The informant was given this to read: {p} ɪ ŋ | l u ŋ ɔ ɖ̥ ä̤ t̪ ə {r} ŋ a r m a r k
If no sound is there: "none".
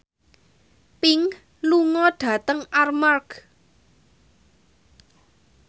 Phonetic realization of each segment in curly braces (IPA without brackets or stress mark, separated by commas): p, none